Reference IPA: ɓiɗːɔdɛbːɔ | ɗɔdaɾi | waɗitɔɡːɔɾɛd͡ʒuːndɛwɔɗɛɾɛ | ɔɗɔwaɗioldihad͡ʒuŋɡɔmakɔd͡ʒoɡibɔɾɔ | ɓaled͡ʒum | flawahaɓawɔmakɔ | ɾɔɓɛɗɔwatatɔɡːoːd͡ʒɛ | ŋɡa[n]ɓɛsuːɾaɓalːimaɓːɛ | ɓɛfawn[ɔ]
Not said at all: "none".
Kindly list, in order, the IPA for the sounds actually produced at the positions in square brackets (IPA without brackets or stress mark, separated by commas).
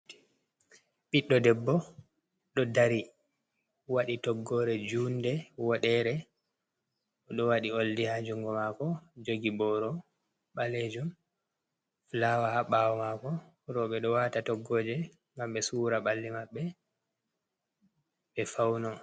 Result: m, ɔ